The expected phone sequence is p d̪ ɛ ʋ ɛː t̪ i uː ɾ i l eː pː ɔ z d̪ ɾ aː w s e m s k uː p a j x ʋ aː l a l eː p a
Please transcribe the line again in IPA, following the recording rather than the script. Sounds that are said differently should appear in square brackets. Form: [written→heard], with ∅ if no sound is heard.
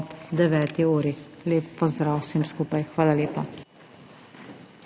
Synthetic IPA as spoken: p d̪ ɛ ʋ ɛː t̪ i uː ɾ i l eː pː ɔ z d̪ ɾ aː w s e m s k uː p a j x ʋ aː l a l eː p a